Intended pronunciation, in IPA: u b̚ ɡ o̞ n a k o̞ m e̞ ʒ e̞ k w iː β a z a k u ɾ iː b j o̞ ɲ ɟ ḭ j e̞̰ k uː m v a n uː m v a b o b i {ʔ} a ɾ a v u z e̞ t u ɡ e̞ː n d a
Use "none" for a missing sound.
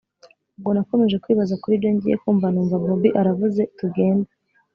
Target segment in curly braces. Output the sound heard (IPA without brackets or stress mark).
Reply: ʔ